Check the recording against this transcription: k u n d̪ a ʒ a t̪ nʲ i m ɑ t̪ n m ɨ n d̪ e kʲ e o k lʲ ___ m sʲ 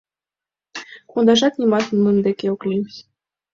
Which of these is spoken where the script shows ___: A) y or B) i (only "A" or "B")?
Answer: B